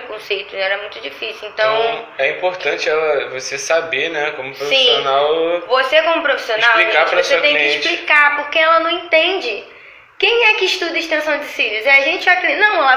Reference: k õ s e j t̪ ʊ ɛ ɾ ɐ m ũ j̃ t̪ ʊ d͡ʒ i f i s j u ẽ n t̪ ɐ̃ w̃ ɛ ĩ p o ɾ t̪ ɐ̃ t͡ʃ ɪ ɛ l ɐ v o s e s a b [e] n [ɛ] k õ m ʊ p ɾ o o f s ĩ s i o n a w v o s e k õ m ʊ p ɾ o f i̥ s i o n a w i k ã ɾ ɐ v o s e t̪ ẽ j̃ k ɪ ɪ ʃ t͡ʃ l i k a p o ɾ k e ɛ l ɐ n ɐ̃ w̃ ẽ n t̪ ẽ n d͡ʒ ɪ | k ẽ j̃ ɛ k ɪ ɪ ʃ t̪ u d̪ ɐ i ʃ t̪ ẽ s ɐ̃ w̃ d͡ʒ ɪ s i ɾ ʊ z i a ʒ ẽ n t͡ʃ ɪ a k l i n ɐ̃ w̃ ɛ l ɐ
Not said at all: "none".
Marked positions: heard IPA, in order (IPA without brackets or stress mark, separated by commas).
e, ɛ